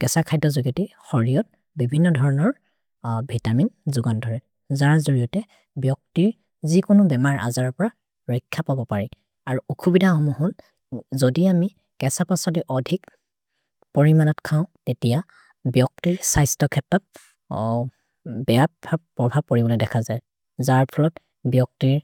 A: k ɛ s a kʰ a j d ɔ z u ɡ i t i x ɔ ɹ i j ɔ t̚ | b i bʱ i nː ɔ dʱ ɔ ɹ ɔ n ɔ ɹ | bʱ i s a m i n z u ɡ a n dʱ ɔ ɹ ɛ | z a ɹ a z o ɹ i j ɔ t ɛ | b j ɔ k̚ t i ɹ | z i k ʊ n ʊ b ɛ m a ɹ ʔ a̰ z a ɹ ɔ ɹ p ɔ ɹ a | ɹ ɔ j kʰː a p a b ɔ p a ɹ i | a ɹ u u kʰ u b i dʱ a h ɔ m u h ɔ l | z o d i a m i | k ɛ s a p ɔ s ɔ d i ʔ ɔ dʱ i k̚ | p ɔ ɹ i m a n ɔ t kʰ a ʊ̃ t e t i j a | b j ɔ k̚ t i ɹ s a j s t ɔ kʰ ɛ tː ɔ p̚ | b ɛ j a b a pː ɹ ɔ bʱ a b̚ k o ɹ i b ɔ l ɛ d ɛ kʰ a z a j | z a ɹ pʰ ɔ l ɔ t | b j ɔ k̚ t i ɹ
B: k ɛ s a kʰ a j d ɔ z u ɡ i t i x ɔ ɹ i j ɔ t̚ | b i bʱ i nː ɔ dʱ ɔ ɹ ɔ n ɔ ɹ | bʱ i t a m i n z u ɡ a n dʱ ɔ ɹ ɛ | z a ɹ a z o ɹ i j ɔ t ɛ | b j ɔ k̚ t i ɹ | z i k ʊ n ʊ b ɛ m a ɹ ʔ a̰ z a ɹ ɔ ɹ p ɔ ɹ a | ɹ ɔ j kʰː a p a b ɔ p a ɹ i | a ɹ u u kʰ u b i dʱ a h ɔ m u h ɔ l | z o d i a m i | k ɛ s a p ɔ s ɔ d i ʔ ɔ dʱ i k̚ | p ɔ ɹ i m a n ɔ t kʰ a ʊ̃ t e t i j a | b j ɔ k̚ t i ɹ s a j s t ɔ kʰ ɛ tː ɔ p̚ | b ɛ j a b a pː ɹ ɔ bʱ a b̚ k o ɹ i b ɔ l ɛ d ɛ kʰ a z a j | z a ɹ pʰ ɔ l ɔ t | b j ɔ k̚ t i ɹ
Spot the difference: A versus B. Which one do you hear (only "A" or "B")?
B